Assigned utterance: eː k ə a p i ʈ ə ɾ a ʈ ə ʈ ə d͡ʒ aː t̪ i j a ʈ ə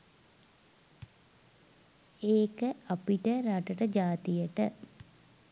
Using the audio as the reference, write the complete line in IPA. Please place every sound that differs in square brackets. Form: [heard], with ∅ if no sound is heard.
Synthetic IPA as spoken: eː k ə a p i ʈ ə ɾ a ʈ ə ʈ ə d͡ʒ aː t̪ i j [ə] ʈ ə